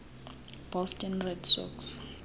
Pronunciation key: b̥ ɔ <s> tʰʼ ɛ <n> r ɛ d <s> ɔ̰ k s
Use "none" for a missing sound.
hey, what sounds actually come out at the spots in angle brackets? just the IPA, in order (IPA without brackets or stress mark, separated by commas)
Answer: s, n, s